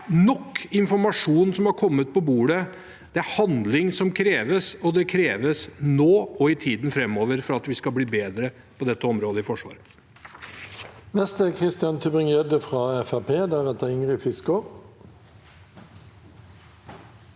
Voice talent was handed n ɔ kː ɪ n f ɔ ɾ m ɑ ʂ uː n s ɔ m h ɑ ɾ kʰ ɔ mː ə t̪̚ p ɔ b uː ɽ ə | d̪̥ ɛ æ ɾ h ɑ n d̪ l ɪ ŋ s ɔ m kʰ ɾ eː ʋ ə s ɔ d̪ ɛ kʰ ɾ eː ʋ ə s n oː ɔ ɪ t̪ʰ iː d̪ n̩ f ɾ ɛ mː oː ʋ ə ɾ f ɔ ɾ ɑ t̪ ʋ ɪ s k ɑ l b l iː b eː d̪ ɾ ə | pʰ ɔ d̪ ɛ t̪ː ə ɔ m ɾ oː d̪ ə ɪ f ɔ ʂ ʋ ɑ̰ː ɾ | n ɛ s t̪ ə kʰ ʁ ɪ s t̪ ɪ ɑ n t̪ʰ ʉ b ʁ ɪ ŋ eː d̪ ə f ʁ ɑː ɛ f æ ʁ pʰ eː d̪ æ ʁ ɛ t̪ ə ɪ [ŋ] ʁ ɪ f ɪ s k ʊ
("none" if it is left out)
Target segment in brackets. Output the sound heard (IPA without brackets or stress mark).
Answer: ŋ